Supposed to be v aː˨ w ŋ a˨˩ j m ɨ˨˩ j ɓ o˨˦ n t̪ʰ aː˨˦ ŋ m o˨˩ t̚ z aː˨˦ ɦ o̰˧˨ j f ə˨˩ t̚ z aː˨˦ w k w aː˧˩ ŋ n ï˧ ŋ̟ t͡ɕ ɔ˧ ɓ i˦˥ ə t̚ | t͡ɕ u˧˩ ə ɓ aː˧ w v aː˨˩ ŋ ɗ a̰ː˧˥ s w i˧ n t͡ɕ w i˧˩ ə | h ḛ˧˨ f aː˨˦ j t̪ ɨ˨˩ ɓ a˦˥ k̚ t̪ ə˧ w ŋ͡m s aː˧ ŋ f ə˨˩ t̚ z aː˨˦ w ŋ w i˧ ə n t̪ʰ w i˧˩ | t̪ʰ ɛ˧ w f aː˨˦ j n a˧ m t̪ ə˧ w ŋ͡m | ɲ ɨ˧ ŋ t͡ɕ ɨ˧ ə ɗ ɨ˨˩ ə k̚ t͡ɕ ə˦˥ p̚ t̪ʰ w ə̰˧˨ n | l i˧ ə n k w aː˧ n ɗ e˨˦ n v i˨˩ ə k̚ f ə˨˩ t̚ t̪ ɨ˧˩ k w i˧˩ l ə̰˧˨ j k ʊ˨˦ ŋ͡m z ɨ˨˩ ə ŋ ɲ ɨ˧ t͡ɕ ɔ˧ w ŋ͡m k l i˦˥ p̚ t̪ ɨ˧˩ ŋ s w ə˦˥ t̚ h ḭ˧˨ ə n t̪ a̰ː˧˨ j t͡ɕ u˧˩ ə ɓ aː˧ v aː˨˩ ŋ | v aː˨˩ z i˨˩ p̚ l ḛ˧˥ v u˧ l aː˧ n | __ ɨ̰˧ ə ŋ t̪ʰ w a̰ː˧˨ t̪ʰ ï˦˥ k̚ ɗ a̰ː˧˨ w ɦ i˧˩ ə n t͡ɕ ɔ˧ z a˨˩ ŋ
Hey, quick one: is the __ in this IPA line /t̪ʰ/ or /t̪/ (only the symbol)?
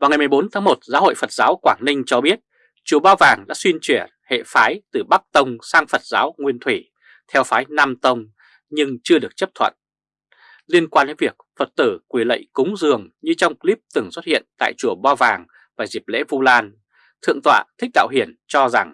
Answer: t̪ʰ